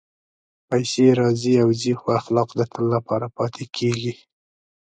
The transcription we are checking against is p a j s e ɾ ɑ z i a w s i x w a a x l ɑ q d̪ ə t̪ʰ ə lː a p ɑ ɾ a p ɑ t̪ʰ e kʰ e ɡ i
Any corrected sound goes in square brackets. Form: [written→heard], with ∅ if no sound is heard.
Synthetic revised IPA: p a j s e ɾ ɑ z i a w [s→z] i x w a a x l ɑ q d̪ ə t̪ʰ ə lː a p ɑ ɾ a p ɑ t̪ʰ e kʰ e ɡ i